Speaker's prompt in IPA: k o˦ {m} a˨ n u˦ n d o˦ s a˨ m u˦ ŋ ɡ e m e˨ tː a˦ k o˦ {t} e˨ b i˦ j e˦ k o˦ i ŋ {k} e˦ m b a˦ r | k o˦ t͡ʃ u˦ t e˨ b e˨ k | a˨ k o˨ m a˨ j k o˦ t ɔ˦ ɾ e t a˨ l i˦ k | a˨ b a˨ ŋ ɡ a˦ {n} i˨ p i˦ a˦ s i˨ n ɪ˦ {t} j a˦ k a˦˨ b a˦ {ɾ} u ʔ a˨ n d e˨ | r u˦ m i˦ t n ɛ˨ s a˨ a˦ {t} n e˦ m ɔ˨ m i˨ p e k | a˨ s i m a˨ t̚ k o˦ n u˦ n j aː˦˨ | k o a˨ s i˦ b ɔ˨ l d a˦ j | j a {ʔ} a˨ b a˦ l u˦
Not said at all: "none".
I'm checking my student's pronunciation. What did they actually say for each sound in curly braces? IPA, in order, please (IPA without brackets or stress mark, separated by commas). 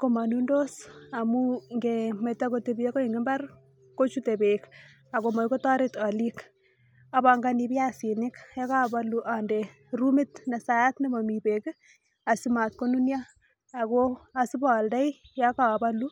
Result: m, t, ɡ, n, k, l, t, k